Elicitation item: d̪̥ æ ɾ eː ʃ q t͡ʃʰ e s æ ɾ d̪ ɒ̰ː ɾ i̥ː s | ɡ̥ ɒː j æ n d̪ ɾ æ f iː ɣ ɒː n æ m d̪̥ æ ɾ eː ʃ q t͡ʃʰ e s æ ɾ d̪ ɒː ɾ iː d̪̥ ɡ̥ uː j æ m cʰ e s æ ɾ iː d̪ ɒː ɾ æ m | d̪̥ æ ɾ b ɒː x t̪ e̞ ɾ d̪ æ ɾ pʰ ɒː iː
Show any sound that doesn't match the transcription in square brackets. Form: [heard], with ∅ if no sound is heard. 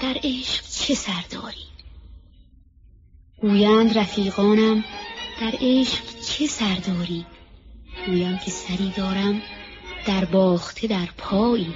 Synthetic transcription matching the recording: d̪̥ æ ɾ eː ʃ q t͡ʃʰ e s æ ɾ d̪ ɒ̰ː ɾ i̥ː [∅] | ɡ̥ [uː] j æ n d̪ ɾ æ f iː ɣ ɒː n æ m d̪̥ æ ɾ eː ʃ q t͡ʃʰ e s æ ɾ d̪ ɒː ɾ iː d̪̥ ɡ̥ uː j æ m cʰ e s æ ɾ iː d̪ ɒː ɾ æ m | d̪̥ æ ɾ b ɒː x [t̪ʰ] e̞ [∅] d̪ æ ɾ pʰ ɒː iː